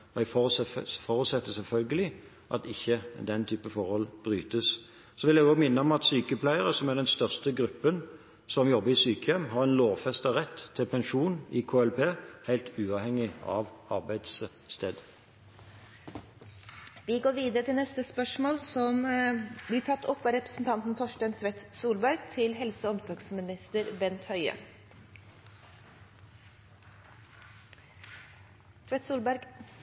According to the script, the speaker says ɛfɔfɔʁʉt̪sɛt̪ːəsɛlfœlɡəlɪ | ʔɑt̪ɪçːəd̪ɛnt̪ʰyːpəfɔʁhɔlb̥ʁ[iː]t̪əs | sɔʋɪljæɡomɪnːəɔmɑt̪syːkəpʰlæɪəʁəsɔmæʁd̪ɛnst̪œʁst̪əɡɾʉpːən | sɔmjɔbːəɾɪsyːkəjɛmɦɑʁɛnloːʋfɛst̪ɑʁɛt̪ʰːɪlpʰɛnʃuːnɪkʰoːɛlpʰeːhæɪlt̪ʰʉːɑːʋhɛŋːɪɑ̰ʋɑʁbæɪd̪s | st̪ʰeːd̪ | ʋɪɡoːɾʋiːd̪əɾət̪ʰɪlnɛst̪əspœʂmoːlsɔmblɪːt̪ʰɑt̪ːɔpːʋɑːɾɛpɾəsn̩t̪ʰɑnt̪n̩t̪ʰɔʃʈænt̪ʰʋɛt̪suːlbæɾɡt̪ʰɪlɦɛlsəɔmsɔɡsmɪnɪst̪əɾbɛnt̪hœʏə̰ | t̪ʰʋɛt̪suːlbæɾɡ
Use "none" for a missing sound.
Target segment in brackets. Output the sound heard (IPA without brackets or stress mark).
yː